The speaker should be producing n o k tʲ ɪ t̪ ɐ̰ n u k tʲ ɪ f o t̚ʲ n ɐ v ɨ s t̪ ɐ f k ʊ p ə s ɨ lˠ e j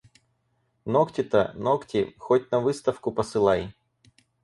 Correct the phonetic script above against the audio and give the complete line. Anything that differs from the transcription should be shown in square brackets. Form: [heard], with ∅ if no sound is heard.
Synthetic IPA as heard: n o k tʲ ɪ t̪ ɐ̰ n [o] k tʲ ɪ [x] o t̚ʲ n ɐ v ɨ s t̪ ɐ f k ʊ p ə s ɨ lˠ [a] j